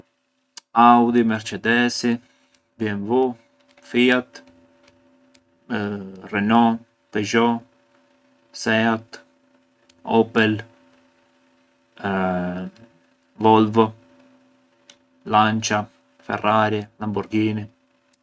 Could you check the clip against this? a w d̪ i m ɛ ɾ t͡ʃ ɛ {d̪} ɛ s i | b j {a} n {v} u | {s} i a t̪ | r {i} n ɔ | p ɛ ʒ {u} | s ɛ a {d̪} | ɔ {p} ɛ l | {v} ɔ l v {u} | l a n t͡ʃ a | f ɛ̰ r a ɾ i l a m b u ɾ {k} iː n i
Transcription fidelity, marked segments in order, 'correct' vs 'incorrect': correct, incorrect, correct, incorrect, incorrect, incorrect, incorrect, correct, correct, incorrect, incorrect

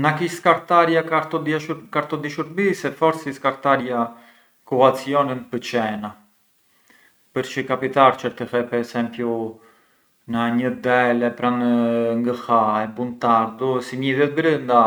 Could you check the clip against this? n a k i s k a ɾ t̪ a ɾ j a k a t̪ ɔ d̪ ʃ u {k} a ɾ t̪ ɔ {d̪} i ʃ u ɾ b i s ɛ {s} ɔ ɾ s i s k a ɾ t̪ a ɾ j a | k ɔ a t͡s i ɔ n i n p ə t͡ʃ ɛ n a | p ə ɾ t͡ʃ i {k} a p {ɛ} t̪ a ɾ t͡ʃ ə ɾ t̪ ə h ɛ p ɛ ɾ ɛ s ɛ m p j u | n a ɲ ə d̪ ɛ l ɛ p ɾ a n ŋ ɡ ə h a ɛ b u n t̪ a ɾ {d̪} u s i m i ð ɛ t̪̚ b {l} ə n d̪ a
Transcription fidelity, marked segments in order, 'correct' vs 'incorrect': correct, correct, incorrect, correct, incorrect, correct, incorrect

